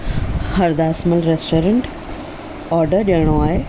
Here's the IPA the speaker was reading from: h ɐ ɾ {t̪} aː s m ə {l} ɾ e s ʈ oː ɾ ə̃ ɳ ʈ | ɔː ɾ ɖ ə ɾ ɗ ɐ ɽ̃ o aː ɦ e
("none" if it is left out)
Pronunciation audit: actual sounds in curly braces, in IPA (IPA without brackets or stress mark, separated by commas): d̪, l